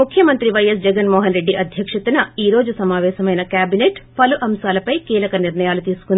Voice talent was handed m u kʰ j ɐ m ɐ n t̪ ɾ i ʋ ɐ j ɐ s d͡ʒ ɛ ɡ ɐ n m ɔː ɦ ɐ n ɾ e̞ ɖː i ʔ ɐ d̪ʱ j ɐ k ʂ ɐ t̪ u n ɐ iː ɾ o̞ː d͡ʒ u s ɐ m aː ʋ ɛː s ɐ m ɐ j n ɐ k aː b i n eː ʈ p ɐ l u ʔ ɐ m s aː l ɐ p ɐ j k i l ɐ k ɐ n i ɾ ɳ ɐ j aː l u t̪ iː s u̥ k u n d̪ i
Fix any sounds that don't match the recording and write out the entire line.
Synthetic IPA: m u kʰ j ɐ m ɐ n t̪ ɾ i ʋ ɐ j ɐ s d͡ʒ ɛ ɡ ɐ n m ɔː ɦ ɐ n ɾ e̞ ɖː i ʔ ɐ d̪ʱ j ɐ k ʂ ɐ t̪ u n ɐ iː ɾ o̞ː d͡ʒ u s ɐ m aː ʋ ɛː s ɐ m ɐ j n ɐ k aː b i n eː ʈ p ɐ l u ʔ ɐ m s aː l ɐ p ɐ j k iː l ɐ k ɐ n i ɾ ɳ ɐ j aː l u t̪ iː s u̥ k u n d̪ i